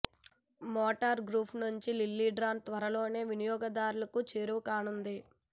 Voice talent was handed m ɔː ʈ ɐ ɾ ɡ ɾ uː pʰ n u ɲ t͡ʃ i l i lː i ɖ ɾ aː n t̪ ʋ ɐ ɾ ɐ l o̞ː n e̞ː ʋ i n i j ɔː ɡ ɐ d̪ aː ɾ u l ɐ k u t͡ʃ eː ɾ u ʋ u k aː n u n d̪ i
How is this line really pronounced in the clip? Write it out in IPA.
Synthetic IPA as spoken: m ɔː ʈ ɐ ɾ ɡ ɾ uː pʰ n u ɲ t͡ʃ i l i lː i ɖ ɾ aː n t̪ ʋ ɐ ɾ ɐ l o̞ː n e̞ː ʋ i n i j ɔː ɡ ɐ d̪ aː ɾ u l ɐ k u t͡ʃ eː ɾ u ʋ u k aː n u n d̪ i